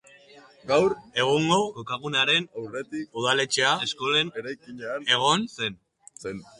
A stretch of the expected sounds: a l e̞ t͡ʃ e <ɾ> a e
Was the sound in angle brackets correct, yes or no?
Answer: no